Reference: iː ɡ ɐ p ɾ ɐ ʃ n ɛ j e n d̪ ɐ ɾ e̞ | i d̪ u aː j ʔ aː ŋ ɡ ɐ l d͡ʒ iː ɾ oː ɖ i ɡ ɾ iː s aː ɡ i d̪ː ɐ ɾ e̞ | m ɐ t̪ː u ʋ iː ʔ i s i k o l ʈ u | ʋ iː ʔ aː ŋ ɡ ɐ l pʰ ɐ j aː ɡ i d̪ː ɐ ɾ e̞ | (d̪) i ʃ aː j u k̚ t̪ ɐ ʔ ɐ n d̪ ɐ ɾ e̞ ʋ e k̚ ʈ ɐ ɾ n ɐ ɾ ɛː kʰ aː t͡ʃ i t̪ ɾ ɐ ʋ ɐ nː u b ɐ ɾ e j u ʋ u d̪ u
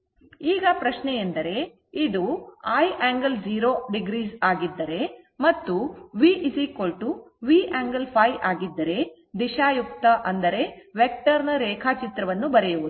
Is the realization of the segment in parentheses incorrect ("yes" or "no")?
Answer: no